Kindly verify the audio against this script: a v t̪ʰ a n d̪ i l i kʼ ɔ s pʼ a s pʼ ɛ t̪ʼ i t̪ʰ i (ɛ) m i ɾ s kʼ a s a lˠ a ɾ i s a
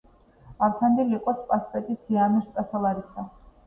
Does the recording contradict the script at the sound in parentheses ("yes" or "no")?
yes